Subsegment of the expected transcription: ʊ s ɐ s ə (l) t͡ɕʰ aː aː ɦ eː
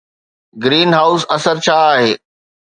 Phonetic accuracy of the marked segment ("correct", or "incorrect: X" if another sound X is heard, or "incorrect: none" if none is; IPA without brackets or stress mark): incorrect: ɾ